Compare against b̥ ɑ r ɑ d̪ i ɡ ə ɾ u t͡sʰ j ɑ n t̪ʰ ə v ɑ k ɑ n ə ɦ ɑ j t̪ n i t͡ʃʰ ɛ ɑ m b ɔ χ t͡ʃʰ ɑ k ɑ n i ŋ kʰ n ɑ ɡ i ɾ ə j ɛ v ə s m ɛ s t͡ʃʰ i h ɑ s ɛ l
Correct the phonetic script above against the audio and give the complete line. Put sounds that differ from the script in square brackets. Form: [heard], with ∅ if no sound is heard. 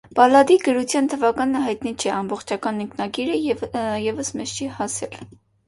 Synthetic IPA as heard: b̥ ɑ [l] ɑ d̪ i ɡ ə ɾ u t͡sʰ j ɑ n t̪ʰ ə v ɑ k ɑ n ə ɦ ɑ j t̪ n i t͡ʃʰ ɛ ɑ m b ɔ χ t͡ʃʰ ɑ k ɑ n i ŋ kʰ n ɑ ɡ i ɾ ə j ɛ v ə s m ɛ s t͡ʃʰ i h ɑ s ɛ l